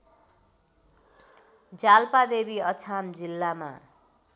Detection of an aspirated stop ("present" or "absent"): present